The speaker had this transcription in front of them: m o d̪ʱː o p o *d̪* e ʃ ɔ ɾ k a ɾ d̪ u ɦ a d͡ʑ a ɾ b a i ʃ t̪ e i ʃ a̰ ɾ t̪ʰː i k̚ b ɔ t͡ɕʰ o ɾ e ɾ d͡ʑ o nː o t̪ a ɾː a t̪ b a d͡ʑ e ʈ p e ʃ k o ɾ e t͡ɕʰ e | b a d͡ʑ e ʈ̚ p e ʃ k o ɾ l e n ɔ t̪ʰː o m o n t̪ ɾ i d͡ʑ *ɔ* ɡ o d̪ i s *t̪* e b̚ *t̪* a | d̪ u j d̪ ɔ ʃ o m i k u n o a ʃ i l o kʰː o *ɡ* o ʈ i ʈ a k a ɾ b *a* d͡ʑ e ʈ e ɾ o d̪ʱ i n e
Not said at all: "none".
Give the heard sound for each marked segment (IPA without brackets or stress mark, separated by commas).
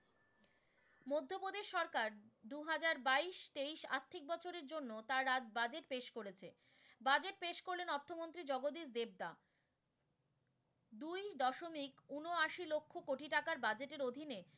d̪, ɔ, d̪, d̪, k, a